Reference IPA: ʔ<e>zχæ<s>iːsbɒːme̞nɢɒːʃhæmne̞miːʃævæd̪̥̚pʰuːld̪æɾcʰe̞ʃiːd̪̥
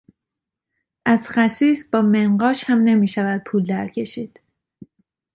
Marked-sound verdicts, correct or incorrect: incorrect, correct

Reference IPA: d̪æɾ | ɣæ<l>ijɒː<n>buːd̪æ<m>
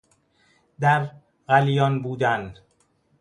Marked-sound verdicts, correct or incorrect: correct, correct, incorrect

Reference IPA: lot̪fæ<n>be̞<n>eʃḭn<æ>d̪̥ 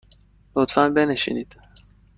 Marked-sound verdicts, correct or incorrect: correct, correct, incorrect

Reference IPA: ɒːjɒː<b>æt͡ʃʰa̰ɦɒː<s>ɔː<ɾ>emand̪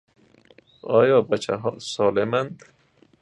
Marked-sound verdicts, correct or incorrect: correct, correct, incorrect

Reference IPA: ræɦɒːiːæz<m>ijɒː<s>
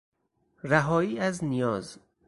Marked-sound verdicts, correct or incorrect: incorrect, incorrect

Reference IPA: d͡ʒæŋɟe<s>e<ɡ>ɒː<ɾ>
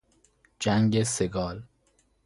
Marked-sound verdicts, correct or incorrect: correct, correct, incorrect

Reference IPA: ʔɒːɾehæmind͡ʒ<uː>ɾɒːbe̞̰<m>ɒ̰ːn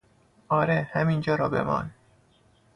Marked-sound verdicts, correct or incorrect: incorrect, correct

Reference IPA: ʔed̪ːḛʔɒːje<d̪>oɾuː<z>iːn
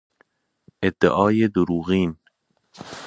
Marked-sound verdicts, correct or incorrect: correct, incorrect

